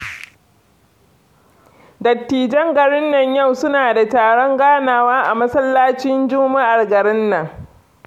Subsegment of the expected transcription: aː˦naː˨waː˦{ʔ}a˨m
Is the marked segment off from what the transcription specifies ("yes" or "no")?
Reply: no